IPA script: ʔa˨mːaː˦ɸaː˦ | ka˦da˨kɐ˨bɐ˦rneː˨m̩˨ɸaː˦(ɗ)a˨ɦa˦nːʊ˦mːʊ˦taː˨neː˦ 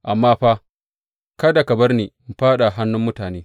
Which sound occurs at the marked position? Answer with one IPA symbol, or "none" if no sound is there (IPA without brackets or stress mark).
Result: ɗ